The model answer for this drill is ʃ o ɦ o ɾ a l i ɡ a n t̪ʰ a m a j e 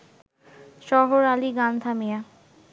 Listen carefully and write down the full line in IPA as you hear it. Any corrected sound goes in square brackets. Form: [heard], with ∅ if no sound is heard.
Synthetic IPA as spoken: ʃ [ɔ] ɦ o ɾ a l i ɡ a n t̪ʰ a m [i] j [a]